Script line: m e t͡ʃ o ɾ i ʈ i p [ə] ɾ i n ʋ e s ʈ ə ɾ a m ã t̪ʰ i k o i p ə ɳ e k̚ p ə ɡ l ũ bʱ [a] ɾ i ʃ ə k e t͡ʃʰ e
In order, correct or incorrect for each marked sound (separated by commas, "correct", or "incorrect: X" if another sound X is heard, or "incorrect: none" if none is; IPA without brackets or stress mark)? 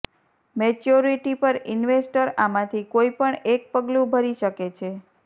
correct, incorrect: ə